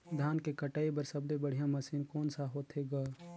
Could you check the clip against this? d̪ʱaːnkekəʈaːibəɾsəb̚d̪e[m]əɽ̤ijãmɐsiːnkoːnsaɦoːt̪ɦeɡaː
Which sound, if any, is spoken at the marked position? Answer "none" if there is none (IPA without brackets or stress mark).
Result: b